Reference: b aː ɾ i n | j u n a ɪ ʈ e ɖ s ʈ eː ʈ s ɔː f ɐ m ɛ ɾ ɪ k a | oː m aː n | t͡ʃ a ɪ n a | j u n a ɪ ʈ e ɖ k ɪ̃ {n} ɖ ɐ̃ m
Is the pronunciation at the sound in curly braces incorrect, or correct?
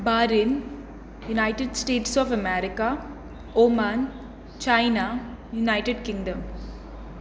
incorrect